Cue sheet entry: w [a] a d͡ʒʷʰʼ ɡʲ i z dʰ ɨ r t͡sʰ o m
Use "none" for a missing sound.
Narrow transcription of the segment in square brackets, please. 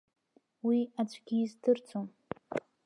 i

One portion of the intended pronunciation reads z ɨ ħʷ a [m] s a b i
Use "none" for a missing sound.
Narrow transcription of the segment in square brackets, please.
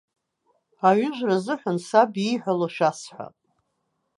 n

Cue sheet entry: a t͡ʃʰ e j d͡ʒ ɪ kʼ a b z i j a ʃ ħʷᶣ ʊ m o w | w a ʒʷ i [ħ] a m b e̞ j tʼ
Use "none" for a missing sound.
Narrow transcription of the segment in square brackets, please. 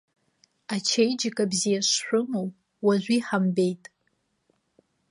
ħ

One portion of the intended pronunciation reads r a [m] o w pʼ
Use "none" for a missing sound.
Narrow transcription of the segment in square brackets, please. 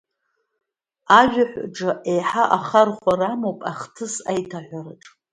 m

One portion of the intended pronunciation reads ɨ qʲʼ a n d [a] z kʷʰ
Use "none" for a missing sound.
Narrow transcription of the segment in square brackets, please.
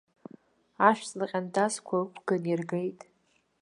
a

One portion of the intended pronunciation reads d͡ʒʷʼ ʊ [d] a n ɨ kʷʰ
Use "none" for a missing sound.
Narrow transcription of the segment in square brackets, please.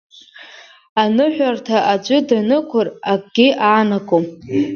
d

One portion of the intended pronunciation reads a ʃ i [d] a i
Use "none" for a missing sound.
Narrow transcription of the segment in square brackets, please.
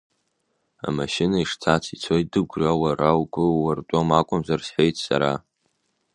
n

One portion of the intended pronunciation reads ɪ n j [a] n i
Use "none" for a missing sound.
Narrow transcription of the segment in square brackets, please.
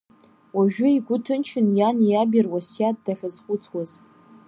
a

